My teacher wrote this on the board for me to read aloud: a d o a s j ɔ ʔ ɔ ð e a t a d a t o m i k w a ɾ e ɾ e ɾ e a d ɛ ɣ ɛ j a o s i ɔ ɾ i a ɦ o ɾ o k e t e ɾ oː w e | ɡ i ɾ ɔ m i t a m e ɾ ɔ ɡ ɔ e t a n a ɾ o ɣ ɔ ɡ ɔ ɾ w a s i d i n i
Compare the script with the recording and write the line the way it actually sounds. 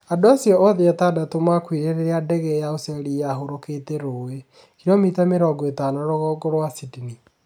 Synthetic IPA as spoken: a d o a s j ɔ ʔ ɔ ð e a t a d a t o m a k w i ɾ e ɾ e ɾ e a d ɛ ɣ ɛ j a o s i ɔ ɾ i a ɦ o ɾ o k e t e ɾ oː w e | k i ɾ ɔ m i t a m e ɾ ɔ ɡ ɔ e t a n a ɾ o ɣ ɔ ɡ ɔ ɾ w a s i d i n i

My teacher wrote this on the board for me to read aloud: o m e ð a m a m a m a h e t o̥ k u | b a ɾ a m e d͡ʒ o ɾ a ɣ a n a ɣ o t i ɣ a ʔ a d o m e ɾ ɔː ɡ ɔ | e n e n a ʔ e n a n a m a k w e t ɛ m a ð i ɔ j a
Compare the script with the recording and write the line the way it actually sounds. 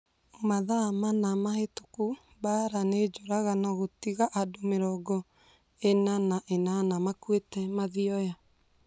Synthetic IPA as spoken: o m a ð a m a n a m a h e t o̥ k u | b a ɾ a n e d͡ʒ o ɾ a ɣ a n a ɣ o t i ɣ a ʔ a d o m e ɾ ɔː ɡ ɔ | e n a n a ʔ e n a n a m a k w e t ɛ m a ð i ɔ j a

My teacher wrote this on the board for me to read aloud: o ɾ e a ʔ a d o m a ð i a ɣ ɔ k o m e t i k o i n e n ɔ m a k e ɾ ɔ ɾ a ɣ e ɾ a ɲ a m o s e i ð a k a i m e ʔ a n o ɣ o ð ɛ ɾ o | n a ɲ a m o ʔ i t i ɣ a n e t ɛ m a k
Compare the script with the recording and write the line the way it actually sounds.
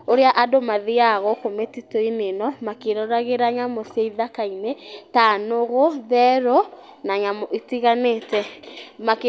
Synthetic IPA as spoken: o ɾ e a ʔ a d o m a ð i a ɣ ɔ k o m e t i t o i n e n ɔ m a k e ɾ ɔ ɾ a ɣ e ɾ a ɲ a m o s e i ð a k a i n e t a n o ɣ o ð ɛ ɾ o | n a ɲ a m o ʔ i t i ɣ a n e t ɛ m a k

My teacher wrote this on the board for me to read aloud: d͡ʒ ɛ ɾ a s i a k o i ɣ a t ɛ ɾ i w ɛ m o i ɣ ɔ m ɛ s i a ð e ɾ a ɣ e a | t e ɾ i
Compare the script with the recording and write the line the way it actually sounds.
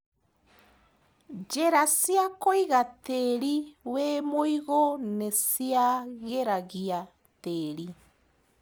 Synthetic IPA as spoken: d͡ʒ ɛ ɾ a s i a k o i ɣ a t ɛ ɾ i w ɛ m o i ɣ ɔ n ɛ s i a ɣ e ɾ a ɣ i a | t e ɾ i

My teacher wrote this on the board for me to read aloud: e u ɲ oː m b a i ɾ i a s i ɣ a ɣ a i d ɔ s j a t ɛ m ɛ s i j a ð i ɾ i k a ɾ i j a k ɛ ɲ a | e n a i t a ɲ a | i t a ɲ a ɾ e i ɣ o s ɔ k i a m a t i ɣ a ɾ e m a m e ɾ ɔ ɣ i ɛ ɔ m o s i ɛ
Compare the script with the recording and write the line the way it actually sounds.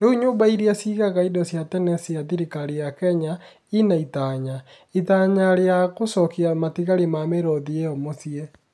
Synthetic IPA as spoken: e u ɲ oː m b a i ɾ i a s i ɣ a ɣ a i d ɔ s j a t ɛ n ɛ s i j a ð i ɾ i k a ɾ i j a k ɛ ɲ a | i n a i t a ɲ a | i t a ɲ a ɾ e a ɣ o s ɔ k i a m a t i ɣ a ɾ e m a m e ɾ ɔ ð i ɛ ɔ m o s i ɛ

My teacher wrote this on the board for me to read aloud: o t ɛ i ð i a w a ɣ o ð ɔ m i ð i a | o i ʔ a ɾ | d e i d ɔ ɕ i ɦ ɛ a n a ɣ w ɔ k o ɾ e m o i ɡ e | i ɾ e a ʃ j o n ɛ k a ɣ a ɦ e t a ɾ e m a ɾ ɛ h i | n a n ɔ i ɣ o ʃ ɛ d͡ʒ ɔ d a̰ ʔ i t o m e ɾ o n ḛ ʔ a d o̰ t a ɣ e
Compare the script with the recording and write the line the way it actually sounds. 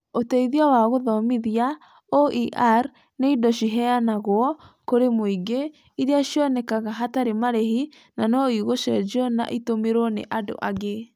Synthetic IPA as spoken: o t ɛ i ð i a w a ɣ o ð ɔ m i ð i a | o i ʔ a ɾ | n e i d ɔ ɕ i ɦ ɛ a n a ɣ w ɔ k o ɾ e m o i ɡ e | i ɾ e a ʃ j ɔ n ɛ k a ɣ a ɦ a t a ɾ e m a ɾ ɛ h i | n a n ɔ i ɣ o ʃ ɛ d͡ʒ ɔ n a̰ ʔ i t o m e ɾ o n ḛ ʔ a d o̰ ʔ a ɣ e

